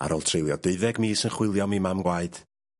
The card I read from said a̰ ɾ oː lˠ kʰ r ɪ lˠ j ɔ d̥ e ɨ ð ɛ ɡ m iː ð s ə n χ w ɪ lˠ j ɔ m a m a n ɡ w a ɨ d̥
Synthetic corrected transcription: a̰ ɾ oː lˠ tʰ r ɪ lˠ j ɔ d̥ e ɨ ð ɛ ɡ m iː s ə n χ w ɪ lˠ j ɔ m i m a m ɡ w a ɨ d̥